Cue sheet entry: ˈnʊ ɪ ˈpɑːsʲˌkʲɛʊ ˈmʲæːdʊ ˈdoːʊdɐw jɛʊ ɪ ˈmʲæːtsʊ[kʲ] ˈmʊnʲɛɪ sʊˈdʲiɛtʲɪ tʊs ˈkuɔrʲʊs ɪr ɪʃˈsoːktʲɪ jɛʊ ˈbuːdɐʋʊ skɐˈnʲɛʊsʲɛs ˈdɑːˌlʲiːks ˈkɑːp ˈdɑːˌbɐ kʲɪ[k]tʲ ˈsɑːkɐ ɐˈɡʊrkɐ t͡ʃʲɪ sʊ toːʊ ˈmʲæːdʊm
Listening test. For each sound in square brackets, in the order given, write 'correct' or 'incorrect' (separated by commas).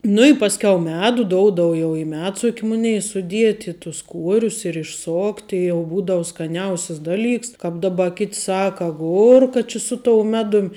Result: correct, incorrect